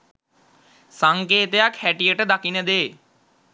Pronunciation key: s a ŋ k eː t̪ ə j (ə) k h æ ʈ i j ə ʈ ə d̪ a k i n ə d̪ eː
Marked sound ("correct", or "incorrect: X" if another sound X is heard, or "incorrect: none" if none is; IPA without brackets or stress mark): incorrect: a